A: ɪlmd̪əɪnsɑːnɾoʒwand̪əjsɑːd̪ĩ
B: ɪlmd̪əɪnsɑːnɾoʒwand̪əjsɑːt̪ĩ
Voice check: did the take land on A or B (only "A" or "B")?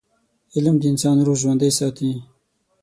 B